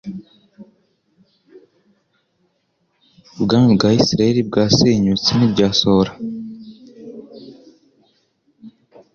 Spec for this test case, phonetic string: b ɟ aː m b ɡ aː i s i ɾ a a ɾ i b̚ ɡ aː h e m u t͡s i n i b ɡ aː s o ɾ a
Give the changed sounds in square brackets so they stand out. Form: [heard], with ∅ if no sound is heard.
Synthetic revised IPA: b [ɡ] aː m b ɡ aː i s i ɾ a [e] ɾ i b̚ ɡ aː [s] e [ɲ] u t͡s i n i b [ɟ] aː s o ɾ a